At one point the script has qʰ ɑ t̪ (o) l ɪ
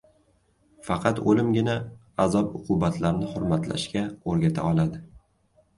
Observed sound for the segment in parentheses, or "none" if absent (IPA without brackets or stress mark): o